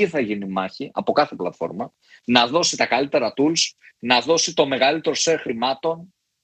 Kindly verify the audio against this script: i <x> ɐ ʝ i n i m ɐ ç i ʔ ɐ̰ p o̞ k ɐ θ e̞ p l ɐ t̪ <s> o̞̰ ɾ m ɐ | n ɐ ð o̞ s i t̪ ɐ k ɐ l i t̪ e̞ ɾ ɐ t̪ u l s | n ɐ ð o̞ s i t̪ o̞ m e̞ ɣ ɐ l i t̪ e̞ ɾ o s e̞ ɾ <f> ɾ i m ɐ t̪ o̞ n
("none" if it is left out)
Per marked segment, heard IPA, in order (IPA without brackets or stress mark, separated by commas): θ, f, x